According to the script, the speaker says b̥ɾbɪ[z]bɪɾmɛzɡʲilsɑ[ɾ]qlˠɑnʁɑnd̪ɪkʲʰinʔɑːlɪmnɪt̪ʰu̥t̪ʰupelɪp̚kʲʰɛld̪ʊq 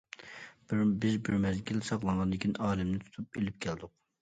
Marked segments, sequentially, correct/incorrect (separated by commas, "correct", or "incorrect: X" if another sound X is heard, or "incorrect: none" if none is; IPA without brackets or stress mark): correct, incorrect: none